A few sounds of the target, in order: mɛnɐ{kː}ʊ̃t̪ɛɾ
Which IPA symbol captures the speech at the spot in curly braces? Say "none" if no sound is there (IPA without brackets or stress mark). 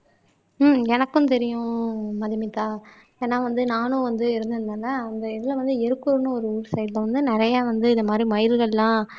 kː